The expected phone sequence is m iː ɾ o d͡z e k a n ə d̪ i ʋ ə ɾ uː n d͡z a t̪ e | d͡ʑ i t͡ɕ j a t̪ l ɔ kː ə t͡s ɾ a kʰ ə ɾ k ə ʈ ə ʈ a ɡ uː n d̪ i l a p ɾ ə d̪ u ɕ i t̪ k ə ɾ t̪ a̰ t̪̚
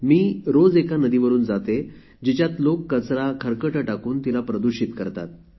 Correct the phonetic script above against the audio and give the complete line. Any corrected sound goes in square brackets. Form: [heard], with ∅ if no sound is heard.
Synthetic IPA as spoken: m iː ɾ o d͡z e k a n ə d̪ i ʋ ə ɾ uː n d͡z a t̪ e | d͡ʑ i t͡ɕ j a t̪ l [o] kː ə t͡s ɾ a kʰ ə ɾ k ə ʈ ə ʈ a [k] uː n [t̪] i l a p ɾ ə d̪ u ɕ i t̪ k ə ɾ t̪ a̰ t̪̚